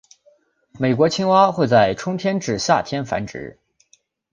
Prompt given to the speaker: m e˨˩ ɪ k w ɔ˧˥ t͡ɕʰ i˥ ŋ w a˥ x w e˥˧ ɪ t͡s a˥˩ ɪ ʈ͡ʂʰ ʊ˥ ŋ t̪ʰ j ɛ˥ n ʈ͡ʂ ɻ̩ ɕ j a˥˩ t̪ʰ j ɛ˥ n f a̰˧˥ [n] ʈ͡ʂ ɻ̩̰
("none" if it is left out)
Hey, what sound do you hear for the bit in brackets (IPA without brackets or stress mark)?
n